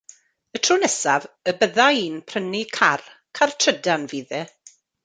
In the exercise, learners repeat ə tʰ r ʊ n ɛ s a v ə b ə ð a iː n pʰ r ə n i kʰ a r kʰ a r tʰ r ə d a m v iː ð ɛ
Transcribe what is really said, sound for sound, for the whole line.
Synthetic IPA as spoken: ə tʰ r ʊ n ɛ s a v ə b ə ð a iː n pʰ r ə n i kʰ a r kʰ a r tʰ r ə d a n v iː ð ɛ

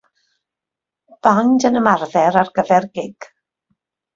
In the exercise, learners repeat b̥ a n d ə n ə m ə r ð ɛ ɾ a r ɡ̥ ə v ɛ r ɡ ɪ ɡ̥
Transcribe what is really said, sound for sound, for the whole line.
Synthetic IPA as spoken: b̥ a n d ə n ə m a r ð ɛ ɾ a r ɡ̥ ə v ɛ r ɡ ɪ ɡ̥

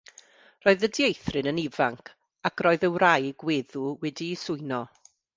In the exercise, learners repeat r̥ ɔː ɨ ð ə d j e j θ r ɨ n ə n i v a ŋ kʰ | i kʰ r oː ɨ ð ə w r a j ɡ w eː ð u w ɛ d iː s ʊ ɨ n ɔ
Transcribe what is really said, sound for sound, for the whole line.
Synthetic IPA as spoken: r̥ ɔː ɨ ð ə d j e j θ r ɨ n ə n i v a ŋ kʰ | a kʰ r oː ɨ ð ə w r a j ɡ w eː ð u w ɛ d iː s ʊ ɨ n ɔ

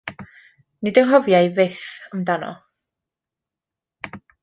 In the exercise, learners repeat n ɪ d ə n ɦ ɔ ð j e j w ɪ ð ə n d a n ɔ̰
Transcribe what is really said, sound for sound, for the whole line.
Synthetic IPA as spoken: n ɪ d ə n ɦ ɔ v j a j v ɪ θ ə m d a n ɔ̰

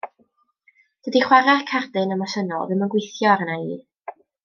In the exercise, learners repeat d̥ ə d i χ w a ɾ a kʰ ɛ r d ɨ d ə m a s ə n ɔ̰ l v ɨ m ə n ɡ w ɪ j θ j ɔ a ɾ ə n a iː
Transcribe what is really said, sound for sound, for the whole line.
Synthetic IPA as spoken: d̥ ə d i χ w a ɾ a kʰ a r d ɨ n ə m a s ə n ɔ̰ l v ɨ m ə n ɡ w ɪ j θ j ɔ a ɾ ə n a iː

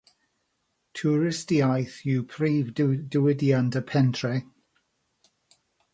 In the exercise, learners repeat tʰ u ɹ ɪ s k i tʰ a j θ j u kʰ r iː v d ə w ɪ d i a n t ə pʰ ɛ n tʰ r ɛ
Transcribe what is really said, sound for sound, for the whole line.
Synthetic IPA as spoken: tʰ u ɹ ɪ s t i a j θ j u pʰ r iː v d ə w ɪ d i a n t ə pʰ ɛ n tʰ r ɛ

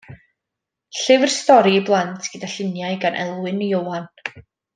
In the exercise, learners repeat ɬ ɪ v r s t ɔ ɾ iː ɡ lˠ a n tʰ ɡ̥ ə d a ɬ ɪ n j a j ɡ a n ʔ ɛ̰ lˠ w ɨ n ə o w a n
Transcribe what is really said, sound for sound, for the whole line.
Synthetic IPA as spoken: ɬ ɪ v r s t ɔ ɾ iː b lˠ a n tʰ ɡ̥ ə d a ɬ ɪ n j a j ɡ a n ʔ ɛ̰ lˠ w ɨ n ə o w a n

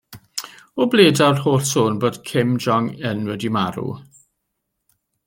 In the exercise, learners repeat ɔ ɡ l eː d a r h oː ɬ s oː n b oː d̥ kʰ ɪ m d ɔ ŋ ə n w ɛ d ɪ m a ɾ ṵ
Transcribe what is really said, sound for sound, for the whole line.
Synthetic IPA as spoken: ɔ b l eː d a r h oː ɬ s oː n b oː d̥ kʰ ɪ m d͡ʒ ɔ ŋ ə n w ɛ d i m a ɾ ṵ

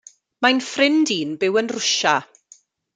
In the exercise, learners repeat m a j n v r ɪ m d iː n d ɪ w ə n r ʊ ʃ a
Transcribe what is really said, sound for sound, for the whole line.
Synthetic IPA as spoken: m a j n f r ɪ n d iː n b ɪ w ə n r ʊ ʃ a

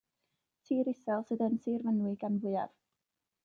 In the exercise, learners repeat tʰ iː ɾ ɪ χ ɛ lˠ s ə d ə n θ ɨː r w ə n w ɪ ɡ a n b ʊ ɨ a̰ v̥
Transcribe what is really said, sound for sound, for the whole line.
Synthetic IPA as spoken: tʰ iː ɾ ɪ s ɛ lˠ s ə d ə n s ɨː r v ə n w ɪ ɡ a n v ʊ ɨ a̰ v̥

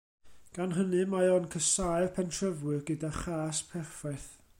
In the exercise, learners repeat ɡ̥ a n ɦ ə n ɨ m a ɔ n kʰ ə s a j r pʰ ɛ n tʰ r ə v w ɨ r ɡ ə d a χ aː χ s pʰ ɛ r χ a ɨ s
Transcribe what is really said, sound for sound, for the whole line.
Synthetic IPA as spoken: ɡ̥ a n ɦ ə n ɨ m a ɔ n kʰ ə s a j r pʰ ɛ n tʰ r ə v w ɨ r ɡ ə d a χ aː s pʰ ɛ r f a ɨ θ

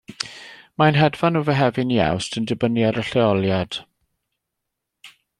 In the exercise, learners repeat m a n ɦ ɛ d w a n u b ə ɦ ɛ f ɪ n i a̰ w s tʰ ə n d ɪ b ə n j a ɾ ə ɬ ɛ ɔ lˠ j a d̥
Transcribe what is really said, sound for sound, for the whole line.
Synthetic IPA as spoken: m a n ɦ ɛ d v a n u v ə ɦ ɛ v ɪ n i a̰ w s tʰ ə n d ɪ b ə n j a ɾ ə ɬ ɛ ɔ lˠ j a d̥

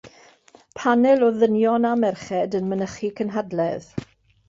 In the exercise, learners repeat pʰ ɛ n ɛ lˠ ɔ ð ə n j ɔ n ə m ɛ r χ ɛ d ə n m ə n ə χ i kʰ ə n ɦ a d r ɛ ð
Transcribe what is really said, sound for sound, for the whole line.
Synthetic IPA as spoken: pʰ a n ɛ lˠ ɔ ð ə n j ɔ n a m ɛ r χ ɛ d ə n m ə n ə χ i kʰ ə n ɦ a d l ɛ ð

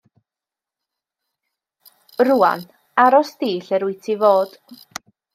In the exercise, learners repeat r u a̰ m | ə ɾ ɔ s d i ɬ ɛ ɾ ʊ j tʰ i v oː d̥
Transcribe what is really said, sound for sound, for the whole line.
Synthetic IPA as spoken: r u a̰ n | a ɾ ɔ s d iː ɬ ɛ ɾ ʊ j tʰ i v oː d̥

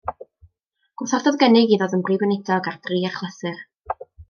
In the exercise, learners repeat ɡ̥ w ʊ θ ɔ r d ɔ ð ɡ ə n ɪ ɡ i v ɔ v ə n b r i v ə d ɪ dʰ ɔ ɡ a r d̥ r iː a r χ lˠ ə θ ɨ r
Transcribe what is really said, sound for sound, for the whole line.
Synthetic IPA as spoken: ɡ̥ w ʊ θ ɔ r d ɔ ð ɡ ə n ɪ ɡ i ð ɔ ð ə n b r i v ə n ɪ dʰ ɔ ɡ a r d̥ r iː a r χ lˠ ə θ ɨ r

